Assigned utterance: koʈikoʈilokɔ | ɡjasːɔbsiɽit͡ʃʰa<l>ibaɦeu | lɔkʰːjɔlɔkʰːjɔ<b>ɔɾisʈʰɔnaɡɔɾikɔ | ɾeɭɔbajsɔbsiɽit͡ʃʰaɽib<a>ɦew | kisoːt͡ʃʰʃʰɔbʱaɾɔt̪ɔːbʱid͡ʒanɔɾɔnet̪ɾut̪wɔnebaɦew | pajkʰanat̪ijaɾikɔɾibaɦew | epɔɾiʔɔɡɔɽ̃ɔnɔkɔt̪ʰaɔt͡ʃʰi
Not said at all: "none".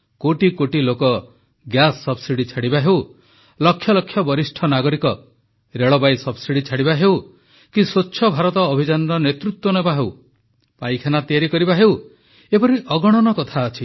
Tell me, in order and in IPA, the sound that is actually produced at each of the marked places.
ɽ, b, a

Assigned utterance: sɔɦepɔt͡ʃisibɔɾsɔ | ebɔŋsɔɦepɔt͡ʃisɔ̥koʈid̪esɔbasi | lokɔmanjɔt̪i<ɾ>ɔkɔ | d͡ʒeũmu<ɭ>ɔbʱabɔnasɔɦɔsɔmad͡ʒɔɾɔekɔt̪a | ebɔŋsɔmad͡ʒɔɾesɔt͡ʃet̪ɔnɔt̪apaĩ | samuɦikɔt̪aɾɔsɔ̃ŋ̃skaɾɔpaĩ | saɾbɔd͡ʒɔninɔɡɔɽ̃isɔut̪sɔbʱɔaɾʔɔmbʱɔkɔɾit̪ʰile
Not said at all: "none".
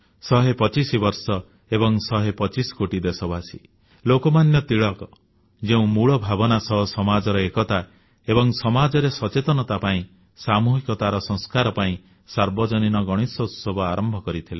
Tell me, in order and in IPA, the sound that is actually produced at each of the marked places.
ɭ, ɭ

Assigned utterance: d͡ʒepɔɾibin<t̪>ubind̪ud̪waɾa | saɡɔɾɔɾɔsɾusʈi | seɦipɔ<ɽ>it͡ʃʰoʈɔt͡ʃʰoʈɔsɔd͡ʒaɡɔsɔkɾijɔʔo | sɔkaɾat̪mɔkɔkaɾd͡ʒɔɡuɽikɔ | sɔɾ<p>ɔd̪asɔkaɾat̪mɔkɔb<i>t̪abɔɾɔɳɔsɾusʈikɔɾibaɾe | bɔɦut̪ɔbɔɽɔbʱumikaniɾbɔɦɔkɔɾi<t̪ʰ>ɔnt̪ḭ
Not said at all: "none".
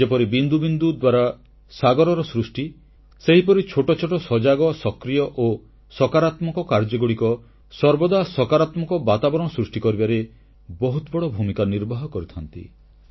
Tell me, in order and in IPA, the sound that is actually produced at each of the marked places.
d̪, ɾ, b, a, t̪ʰ

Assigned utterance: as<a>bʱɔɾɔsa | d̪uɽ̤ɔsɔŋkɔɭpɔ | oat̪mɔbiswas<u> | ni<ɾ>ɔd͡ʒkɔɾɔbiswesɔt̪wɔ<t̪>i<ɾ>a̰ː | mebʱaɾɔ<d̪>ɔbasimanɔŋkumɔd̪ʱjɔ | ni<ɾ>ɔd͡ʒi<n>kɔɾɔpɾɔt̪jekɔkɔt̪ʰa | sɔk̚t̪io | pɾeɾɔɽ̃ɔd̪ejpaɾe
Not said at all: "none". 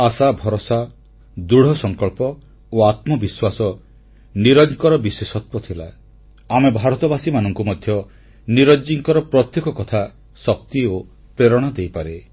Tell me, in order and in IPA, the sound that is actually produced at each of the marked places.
a, ɔ, ɾ, t̪ʰ, l, t̪, ɾ, ŋ

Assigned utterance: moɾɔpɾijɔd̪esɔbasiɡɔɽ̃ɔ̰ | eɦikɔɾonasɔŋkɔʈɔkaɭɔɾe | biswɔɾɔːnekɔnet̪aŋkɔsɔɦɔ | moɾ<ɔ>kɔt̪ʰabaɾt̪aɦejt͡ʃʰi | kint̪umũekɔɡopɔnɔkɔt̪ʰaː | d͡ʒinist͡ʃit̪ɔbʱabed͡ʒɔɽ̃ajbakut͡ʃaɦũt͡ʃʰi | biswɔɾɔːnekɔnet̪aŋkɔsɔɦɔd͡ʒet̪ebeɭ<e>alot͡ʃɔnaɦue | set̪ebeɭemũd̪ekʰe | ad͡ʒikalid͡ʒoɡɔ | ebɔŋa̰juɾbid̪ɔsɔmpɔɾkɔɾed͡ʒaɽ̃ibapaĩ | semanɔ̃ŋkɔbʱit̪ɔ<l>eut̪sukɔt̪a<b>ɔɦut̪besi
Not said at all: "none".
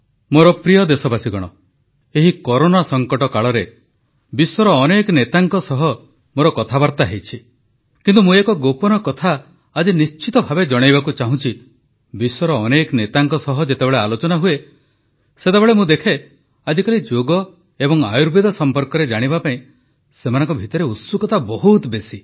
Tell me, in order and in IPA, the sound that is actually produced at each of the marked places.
ɔ, e, ɾ, b

